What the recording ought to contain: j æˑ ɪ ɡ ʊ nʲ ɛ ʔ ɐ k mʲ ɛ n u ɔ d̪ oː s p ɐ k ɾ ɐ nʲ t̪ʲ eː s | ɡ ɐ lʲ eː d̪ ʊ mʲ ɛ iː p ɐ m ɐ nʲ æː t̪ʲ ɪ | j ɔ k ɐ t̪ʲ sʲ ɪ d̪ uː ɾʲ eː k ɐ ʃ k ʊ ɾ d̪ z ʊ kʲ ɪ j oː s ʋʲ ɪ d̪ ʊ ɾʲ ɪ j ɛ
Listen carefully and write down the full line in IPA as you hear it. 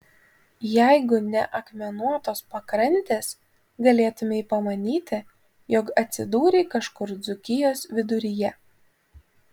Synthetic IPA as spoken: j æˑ ɪ ɡ ʊ nʲ ɛ ʔ ɐ k mʲ ɛ n u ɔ t̪ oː s p ɐ k ɾ ɐ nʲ t̪ʲ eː s | ɡ ɐ lʲ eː t̪ ʊ mʲ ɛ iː p ɐ m ɐ nʲ iː t̪ʲ ɪ | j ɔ k ɐ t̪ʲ sʲ ɪ d̪ uː ɾʲ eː k ɐ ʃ k ʊ ɾ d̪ z ʊ kʲ ɪ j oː s ʋʲ ɪ d̪ ʊ ɾʲ ɪ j ɛ

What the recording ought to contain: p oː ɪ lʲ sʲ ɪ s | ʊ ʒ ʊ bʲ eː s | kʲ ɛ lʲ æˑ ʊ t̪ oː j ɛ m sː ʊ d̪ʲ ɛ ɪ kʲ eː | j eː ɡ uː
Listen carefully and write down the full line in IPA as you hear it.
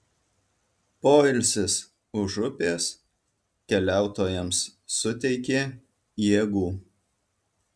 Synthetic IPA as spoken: p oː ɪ lʲ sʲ ɪ s | ʊ ʒ ʊ pʲ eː s | kʲ ɛ lʲ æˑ ʊ t̪ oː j ɛ m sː ʊ t̪ʲ ɛ ɪ kʲ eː | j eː ɡ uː

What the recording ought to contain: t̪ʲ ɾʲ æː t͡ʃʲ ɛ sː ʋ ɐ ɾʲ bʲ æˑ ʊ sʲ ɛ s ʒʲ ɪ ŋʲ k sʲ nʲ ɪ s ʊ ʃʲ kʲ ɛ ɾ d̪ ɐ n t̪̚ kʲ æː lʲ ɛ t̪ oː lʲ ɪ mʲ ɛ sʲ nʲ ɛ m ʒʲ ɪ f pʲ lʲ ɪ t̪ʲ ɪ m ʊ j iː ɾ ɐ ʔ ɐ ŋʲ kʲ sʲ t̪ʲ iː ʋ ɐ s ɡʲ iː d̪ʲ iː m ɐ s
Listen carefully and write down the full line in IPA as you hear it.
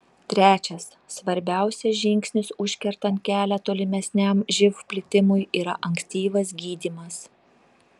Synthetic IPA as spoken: t̪ʲ ɾʲ æː t͡ʃʲ ɛ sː ʋ ɐ ɾʲ bʲ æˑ ʊ sʲ ɛ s ʒʲ ɪ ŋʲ k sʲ nʲ ɪ s ʊ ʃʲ kʲ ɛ ɾ t̪ ɐ n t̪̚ kʲ æː lʲ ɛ t̪ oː lʲ ɪ mʲ ɛ sʲ nʲ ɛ m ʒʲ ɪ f pʲ lʲ ɪ t̪ʲ ɪ m ʊ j iː ɾ ɐ ʔ ɐ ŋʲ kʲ sʲ t̪ʲ iː ʋ ɐ s ɡʲ iː d̪ʲ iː m ɐ s

